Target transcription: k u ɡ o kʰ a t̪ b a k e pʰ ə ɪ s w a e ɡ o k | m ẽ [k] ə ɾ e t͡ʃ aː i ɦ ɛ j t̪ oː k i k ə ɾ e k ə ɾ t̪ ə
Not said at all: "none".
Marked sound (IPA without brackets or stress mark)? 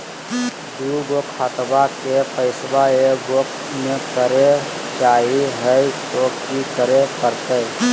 k